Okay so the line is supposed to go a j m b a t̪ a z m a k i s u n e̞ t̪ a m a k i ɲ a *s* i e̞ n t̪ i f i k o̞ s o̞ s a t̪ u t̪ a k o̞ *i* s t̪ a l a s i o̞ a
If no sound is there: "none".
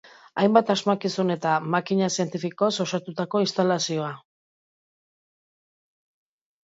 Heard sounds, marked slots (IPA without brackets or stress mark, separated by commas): s, i